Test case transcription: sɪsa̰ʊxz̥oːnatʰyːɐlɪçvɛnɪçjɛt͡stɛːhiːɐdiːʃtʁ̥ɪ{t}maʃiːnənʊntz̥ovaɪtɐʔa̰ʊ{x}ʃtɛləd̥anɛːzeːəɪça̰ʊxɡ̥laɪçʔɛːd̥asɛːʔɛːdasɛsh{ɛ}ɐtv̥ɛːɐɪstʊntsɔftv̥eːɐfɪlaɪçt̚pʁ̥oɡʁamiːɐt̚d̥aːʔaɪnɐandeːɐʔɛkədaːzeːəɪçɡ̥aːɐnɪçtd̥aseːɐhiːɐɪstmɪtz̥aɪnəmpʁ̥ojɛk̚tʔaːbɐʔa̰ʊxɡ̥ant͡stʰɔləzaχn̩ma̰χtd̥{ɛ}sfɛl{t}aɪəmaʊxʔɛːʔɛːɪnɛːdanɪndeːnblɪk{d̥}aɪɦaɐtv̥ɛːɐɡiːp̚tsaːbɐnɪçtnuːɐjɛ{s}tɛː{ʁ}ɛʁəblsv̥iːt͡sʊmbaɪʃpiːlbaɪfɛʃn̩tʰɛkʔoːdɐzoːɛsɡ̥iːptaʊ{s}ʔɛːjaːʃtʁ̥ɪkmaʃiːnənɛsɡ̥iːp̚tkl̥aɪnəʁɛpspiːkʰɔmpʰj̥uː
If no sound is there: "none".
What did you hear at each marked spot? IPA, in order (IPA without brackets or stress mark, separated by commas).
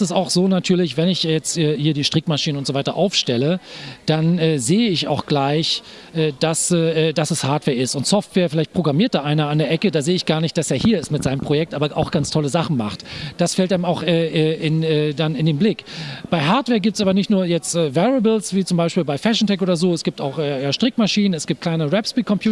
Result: k, f, a, a, t, b̥, t͡s, v, x